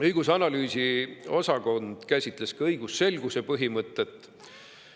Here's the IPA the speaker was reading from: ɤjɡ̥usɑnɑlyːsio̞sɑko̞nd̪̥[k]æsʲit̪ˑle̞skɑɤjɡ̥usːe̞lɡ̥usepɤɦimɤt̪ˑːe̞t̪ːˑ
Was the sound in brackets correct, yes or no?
yes